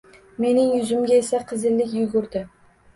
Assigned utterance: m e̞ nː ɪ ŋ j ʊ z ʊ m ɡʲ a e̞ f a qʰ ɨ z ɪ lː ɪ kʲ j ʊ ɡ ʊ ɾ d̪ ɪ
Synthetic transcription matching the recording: m e̞ n ɪ ŋ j ʊ z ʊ m ɡʲ a e̞ s a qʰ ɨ z ɪ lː ɪ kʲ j ʊ ɡ ʊ ɾ d̪ ɪ